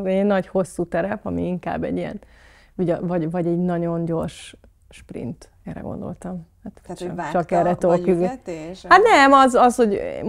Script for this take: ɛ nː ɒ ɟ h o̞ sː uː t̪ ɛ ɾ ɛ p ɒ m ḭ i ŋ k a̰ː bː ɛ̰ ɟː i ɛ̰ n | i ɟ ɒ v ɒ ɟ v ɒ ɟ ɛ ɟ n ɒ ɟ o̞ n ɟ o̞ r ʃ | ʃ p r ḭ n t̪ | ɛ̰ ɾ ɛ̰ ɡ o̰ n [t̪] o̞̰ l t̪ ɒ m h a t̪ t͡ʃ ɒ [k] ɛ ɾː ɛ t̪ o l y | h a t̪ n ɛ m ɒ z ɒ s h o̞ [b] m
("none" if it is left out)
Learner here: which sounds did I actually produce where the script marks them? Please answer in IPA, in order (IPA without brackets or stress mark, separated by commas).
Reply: d̪, k, ɟ